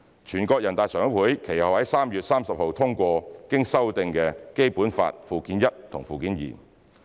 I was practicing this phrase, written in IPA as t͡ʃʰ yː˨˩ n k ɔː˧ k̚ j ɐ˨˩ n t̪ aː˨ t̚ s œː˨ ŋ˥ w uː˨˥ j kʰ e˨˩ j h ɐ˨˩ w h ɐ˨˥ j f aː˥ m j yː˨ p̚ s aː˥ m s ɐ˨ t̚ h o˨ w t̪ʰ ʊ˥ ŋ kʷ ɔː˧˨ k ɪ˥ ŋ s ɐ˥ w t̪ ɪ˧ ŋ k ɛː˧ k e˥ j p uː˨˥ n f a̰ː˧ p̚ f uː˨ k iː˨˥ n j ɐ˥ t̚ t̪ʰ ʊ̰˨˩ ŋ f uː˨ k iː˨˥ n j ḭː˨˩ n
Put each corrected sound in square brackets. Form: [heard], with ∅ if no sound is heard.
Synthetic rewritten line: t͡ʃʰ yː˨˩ n k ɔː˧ k̚ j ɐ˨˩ n t̪ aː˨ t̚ s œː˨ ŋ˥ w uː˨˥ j kʰ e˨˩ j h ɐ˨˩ w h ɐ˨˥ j [s] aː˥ m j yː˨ [t̚] s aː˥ m s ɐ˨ [p̚] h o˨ w t̪ʰ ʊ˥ ŋ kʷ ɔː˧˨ k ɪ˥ ŋ s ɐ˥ w t̪ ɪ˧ ŋ k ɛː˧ k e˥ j p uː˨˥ n f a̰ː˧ [t̚] f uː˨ k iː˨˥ n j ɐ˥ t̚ t̪ʰ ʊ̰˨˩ ŋ f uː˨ k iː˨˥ n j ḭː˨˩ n

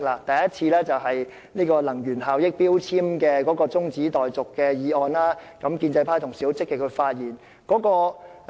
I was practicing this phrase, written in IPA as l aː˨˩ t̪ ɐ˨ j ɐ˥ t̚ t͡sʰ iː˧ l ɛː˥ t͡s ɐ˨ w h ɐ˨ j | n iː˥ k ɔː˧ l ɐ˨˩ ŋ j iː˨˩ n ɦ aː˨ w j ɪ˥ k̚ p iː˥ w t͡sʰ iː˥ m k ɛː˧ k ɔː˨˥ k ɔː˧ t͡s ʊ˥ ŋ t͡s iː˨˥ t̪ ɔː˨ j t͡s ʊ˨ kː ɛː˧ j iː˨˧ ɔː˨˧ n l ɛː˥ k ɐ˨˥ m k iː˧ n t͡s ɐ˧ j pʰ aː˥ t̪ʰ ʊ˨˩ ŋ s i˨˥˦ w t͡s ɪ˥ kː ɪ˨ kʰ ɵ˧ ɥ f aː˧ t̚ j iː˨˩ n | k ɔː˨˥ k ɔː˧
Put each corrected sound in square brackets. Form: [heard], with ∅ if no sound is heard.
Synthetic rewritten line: l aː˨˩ t̪ ɐ˨ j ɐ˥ t̚ t͡sʰ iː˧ l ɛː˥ t͡s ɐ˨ w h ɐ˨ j | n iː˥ k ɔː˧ l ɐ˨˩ ŋ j [yː˨˩] n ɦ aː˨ w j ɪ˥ k̚ p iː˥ w t͡sʰ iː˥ m k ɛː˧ k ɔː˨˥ k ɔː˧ t͡s ʊ˥ ŋ t͡s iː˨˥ t̪ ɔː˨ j t͡s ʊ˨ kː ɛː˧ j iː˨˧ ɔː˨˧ n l [aː˥] k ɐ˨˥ m k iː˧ n t͡s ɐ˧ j pʰ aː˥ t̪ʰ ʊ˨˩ ŋ s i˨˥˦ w t͡s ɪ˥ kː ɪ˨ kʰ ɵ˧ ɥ f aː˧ t̚ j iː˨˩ n | k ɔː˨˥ k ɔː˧

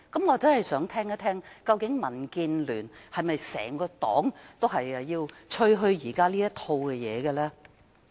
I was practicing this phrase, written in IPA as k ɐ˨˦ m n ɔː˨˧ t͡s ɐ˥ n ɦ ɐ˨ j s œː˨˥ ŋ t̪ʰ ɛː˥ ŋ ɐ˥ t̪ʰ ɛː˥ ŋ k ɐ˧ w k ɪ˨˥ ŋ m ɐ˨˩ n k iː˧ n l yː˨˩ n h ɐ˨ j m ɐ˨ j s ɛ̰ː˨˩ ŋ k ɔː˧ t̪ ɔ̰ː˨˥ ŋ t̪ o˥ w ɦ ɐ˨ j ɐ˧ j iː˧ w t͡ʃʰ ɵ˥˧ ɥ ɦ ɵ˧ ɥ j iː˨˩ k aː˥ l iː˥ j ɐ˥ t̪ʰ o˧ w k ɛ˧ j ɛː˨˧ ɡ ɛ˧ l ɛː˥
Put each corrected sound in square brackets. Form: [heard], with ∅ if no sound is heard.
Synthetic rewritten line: k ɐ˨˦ m [ŋ] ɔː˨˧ t͡s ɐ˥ n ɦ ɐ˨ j s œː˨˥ ŋ t̪ʰ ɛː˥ ŋ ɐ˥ t̪ʰ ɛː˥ ŋ k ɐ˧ w k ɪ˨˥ ŋ m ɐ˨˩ n k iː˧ n l yː˨˩ n h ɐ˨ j m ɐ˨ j s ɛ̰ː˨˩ ŋ k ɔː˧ t̪ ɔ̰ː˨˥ ŋ t̪ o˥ w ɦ ɐ˨ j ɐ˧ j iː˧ w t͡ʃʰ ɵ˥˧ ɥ ɦ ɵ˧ ɥ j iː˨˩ k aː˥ l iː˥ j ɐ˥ t̪ʰ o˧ w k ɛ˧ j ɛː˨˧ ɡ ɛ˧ l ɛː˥

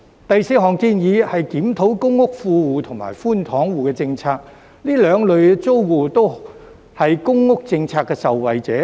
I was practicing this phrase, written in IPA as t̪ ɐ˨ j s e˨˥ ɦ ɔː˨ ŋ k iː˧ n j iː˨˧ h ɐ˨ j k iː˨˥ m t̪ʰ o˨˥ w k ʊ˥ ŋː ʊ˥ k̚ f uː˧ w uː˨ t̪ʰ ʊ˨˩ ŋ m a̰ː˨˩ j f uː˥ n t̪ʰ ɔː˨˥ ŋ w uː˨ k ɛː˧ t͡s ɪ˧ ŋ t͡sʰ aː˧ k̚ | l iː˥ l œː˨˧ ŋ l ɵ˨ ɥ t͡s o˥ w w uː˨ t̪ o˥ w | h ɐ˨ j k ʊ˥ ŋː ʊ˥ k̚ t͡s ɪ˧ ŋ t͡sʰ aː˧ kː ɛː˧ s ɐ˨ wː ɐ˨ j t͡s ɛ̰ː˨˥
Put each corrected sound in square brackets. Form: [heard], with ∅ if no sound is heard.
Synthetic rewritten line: t̪ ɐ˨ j s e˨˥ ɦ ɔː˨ ŋ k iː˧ n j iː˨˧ h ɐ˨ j k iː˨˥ m t̪ʰ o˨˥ w k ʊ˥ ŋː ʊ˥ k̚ f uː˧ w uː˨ t̪ʰ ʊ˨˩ ŋ m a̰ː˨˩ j f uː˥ n t̪ʰ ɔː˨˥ ŋ w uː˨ k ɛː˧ t͡s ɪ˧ ŋ t͡sʰ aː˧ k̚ | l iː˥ l œː˨˧ ŋ l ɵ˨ ɥ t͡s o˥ w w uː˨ t̪ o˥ w | h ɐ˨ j k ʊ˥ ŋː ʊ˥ k̚ t͡s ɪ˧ ŋ t͡sʰ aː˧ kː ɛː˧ s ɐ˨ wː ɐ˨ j t͡s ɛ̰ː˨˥

